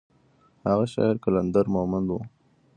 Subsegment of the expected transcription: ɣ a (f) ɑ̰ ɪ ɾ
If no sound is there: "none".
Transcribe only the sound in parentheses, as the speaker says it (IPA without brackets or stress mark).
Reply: ʃ